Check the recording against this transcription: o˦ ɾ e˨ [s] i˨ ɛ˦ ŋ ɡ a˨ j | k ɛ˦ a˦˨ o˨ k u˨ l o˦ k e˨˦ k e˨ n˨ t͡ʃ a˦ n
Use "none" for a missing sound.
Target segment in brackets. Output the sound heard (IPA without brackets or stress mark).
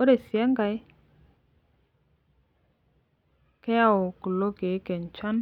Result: s